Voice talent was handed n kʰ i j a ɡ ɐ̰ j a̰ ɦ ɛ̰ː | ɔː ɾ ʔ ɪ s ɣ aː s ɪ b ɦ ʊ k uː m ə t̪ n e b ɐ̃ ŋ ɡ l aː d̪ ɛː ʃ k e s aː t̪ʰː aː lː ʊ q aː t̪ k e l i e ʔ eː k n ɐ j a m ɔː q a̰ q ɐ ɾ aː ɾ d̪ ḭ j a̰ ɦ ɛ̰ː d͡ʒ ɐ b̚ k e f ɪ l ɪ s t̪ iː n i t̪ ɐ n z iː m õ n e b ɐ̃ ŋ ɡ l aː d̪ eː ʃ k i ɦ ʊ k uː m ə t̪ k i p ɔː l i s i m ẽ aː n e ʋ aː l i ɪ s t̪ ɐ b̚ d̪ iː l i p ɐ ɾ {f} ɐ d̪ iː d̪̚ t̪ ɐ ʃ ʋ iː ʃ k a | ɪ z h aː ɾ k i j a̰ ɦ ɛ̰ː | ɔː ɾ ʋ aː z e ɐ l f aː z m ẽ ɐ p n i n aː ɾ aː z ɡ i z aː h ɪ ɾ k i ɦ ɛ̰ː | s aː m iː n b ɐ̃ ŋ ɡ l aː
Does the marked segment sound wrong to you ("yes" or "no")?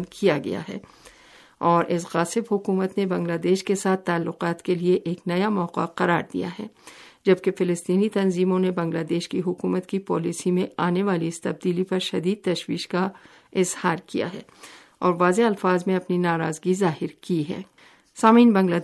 yes